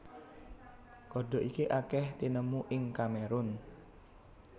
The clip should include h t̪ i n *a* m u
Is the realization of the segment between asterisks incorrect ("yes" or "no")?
yes